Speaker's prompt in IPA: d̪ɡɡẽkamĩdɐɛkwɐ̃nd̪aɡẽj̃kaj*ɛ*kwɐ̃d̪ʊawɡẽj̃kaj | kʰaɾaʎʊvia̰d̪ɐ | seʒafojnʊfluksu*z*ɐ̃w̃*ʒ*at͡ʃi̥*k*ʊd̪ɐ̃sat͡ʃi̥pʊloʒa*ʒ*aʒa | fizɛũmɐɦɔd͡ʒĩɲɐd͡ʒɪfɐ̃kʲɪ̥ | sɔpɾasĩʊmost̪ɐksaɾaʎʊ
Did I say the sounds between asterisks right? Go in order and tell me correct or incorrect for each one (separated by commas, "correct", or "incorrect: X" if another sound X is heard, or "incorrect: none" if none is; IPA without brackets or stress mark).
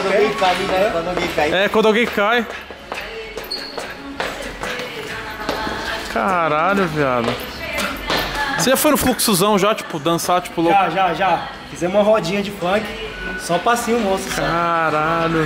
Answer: correct, correct, correct, incorrect: p, correct